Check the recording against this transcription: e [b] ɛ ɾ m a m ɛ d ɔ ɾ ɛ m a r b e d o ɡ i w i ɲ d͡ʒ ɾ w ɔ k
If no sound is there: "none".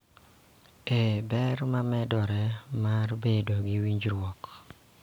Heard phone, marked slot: b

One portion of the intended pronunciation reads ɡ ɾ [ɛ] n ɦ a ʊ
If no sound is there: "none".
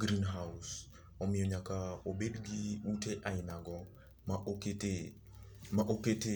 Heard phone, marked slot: i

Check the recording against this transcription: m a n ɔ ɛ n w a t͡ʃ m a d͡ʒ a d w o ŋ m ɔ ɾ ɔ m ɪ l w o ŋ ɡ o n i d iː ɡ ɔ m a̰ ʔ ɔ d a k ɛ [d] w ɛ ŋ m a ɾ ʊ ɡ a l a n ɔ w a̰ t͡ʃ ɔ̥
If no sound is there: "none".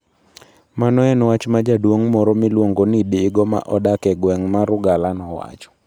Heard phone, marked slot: ɡ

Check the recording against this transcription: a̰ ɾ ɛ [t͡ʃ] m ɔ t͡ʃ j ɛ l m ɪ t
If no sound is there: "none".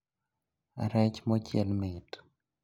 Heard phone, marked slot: t͡ʃ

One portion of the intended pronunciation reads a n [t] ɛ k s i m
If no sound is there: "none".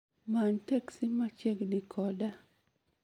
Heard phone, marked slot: t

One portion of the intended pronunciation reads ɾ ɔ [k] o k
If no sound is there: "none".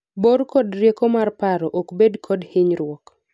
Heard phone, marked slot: ʔ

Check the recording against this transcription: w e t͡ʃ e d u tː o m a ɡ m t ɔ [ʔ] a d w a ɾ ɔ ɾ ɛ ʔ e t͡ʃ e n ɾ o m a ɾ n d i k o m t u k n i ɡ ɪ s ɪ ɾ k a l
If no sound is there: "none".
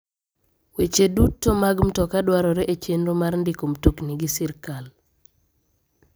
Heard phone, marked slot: k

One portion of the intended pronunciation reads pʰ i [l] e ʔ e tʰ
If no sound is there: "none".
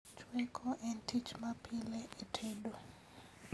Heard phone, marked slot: l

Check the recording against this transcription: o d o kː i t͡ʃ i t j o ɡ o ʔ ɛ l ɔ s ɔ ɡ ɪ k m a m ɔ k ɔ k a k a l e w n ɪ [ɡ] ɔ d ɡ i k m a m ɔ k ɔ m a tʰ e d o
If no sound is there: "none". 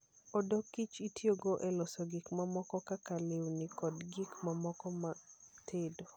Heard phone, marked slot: k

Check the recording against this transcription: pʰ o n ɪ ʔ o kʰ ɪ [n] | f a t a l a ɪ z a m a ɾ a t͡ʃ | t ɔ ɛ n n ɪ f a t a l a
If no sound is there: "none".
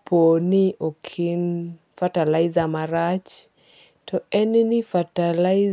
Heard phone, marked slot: n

